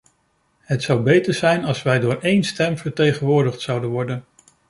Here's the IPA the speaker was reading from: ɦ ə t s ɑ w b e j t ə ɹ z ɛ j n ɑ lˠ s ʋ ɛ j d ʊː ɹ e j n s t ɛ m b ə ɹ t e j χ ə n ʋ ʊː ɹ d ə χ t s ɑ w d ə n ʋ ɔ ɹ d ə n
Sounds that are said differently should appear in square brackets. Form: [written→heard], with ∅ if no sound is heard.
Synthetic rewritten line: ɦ ə t s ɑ w b e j t ə ɹ z ɛ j n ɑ lˠ s ʋ ɛ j d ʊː ɹ e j n s t ɛ m [b→v] ə ɹ t e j χ ə n ʋ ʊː ɹ d ə χ t s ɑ w d ə n ʋ ɔ ɹ d ə n